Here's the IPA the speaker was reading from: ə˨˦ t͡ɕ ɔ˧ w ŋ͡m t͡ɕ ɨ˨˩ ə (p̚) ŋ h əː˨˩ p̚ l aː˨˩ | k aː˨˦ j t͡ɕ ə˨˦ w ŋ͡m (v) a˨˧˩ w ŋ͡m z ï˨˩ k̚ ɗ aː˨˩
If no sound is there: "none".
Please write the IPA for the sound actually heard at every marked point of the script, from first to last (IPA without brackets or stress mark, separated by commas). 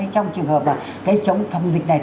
none, f